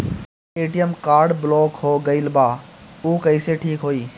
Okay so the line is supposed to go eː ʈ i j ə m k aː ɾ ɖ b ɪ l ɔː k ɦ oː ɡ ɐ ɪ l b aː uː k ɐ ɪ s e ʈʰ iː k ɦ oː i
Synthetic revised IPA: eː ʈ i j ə m k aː ɾ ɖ b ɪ l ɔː k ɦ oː ɡ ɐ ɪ l b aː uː k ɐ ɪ s e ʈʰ iː k ɦ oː iː